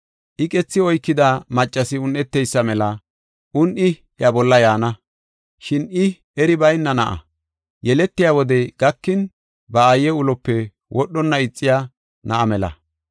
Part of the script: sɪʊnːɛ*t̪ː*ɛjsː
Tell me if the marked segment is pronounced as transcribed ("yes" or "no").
yes